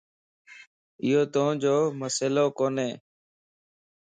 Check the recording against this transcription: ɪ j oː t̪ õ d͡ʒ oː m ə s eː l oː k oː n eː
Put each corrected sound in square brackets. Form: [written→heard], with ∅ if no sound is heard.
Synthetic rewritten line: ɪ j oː t̪ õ d͡ʒ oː m ə s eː l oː k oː n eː